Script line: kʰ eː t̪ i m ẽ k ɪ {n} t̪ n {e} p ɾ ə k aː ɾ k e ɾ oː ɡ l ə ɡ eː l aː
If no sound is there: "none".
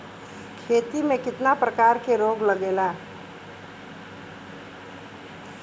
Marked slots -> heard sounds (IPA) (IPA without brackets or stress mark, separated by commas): none, a